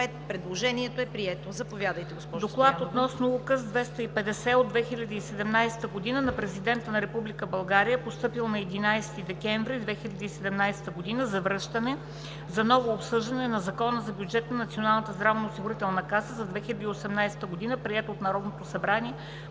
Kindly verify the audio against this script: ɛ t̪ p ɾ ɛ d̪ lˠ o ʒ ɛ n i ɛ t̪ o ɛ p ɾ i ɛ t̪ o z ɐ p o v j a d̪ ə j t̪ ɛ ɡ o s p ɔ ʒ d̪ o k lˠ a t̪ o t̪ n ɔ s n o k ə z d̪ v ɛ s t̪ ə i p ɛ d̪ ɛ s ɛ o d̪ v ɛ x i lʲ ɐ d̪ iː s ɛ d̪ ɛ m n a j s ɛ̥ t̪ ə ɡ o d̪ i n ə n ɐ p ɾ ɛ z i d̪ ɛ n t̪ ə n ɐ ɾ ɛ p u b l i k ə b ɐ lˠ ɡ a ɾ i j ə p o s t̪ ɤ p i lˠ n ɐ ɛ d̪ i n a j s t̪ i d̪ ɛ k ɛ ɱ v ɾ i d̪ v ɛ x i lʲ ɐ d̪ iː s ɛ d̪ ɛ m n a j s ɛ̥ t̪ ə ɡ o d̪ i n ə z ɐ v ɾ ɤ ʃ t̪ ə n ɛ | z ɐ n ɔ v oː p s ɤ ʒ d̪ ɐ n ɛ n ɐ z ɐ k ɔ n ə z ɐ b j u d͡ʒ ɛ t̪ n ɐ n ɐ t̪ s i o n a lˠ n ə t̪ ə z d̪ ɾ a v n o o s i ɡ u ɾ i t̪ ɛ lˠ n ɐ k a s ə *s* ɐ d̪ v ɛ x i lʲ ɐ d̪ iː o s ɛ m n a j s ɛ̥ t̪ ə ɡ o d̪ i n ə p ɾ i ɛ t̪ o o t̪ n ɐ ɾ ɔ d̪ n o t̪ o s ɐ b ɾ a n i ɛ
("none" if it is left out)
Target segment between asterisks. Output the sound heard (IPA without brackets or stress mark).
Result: z